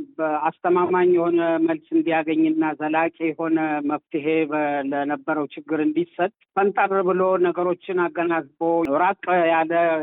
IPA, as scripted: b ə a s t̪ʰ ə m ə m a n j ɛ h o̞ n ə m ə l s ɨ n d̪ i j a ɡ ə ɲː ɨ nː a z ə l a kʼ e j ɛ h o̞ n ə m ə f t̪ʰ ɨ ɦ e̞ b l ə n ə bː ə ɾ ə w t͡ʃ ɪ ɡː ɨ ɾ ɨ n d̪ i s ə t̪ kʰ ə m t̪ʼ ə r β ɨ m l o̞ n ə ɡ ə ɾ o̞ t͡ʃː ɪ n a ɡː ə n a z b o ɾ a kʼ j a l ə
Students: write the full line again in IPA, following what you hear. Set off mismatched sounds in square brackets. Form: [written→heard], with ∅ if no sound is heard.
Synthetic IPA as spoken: b ə a s t̪ʰ ə m [ə→a] m a [n→ɲ] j ɛ h o̞ n ə m ə l s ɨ n d̪ i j a ɡ ə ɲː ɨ nː a z ə l a kʼ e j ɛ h o̞ n ə m ə f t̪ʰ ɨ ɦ e̞ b l ə n ə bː ə ɾ ə w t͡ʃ ɪ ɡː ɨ ɾ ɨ n d̪ i s ə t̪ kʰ ə [m→n] t̪ʼ ə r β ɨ [m→∅] l o̞ n ə ɡ ə ɾ o̞ t͡ʃː ɪ n a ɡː ə n a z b o ɾ a kʼ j a l ə